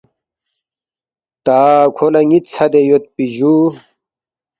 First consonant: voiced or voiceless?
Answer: voiceless